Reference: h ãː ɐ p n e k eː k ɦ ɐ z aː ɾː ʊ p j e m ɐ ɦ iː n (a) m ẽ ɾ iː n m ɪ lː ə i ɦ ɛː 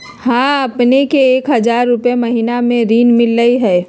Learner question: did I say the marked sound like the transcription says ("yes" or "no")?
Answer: yes